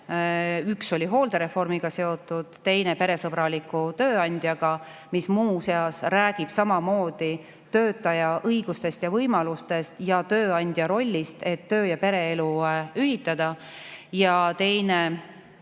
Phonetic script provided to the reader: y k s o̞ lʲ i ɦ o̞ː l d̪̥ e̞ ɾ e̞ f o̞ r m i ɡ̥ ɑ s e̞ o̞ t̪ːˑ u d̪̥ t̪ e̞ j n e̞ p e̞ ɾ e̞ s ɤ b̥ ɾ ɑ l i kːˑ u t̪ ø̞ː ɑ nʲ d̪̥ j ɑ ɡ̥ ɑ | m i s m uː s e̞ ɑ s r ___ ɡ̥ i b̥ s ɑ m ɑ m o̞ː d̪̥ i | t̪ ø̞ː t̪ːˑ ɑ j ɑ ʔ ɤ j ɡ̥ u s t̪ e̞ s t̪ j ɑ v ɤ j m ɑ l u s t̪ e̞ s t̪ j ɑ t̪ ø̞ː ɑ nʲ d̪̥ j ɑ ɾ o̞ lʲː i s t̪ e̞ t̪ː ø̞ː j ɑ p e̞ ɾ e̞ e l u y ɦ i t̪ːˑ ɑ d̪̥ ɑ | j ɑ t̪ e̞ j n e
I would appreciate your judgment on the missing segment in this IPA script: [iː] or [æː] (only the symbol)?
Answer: æː